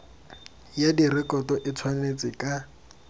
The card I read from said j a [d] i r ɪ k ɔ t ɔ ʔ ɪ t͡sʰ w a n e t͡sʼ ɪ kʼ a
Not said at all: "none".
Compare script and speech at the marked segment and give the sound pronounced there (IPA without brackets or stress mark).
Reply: d